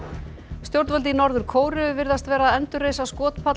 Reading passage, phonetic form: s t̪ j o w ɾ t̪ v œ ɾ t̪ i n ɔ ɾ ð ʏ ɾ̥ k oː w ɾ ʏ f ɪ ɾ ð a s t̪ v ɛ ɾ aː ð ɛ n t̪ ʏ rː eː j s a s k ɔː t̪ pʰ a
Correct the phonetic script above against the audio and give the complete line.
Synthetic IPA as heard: s t̪ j o w ɾ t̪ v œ l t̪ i n ɔ ɾ ð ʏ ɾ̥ kʰ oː w ɾ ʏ v ɪ ɾ ð a s t̪ v ɛː ɾ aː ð ɛ n t̪ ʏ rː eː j s a s k ɔː t̪ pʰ a